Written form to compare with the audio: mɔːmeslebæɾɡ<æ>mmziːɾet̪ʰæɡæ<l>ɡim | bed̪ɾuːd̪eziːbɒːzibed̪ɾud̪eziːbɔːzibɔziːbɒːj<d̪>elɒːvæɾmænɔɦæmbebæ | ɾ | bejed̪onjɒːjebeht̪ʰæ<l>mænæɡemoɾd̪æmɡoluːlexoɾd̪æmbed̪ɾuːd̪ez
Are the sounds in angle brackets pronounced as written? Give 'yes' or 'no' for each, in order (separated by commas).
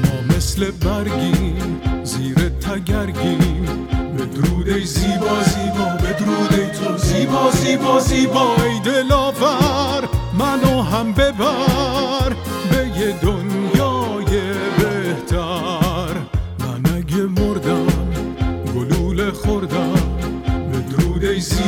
no, no, yes, no